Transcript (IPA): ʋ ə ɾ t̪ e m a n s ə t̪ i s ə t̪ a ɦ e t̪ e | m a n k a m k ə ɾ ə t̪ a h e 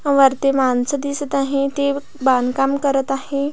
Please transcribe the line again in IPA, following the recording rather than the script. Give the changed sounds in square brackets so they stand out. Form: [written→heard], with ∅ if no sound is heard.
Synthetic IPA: ʋ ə ɾ t̪ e m a n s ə [t̪→d̪] i s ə t̪ a ɦ e t̪ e | [m→b] a n k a m k ə ɾ ə t̪ a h e